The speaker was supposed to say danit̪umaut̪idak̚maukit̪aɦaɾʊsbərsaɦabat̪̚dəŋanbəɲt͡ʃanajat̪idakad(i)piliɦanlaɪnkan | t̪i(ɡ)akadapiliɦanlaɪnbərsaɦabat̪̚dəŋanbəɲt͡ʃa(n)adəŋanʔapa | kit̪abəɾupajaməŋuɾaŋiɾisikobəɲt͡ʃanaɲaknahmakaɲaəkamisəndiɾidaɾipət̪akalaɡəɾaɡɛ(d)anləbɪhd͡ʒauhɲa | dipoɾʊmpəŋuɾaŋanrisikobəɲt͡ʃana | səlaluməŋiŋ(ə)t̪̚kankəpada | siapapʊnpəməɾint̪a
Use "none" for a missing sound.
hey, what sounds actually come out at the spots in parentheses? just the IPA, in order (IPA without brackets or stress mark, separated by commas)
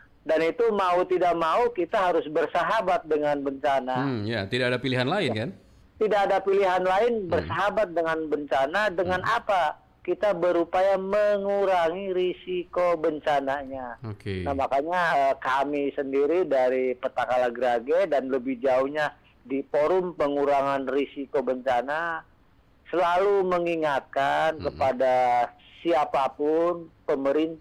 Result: a, d, n, d, a